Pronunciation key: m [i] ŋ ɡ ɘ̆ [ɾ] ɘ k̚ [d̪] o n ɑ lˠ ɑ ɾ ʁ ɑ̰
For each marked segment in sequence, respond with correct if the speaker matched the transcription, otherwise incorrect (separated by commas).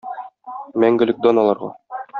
incorrect, incorrect, correct